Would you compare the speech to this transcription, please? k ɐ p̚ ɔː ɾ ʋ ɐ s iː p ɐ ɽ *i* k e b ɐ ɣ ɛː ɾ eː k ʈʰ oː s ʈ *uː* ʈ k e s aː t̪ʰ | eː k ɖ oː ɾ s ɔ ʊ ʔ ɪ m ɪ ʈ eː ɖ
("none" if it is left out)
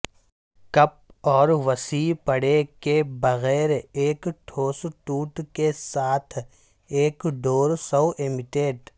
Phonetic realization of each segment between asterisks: e, uː

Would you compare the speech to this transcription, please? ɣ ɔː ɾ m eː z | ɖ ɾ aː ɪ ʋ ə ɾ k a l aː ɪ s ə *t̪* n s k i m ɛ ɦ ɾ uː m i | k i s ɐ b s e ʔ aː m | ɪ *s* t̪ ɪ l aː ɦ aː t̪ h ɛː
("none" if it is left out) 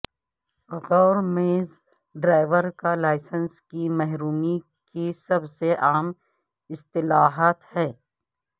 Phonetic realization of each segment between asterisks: none, s

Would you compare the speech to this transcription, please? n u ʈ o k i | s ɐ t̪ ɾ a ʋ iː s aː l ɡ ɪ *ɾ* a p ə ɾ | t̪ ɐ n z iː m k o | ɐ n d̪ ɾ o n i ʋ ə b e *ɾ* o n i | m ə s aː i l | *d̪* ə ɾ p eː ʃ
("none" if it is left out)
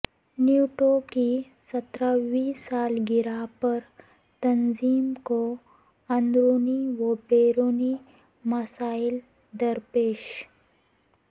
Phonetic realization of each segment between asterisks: ɾ, ɾ, d̪

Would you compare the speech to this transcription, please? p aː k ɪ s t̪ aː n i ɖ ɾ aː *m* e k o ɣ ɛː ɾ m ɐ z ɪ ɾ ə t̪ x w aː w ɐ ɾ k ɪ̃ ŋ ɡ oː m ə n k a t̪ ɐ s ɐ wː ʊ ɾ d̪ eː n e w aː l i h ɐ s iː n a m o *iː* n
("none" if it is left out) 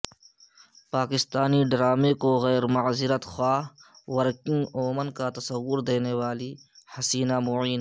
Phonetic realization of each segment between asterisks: m, iː

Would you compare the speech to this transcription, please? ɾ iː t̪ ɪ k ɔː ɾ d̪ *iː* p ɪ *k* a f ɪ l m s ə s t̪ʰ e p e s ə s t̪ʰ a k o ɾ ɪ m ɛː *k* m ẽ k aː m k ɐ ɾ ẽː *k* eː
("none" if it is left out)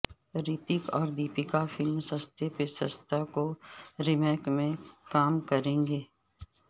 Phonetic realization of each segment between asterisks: iː, k, k, ɡ

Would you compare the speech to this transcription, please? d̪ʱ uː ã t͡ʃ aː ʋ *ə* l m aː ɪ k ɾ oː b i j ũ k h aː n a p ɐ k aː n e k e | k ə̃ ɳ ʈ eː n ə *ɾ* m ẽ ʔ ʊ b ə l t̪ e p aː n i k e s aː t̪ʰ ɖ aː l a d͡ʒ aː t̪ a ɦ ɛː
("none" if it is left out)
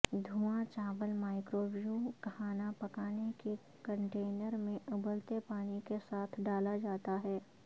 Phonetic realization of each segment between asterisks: ə, ɾ

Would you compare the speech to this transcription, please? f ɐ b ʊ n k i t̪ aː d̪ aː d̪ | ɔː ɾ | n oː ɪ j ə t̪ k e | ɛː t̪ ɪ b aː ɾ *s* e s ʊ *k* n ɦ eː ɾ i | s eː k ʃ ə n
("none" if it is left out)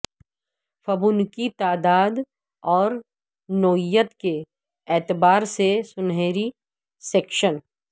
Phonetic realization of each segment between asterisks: s, none

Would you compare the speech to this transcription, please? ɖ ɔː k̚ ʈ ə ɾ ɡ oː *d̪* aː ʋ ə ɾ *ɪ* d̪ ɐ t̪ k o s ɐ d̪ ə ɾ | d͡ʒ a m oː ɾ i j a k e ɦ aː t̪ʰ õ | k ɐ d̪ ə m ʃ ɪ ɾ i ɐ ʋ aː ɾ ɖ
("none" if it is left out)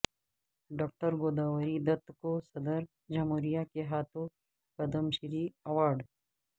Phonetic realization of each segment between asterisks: d̪, i

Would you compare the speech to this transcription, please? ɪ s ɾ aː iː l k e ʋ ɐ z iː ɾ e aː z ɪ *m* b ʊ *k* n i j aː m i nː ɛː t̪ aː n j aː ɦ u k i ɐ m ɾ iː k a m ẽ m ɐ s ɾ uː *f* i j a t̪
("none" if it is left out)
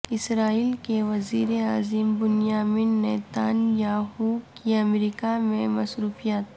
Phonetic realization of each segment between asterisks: m, none, f

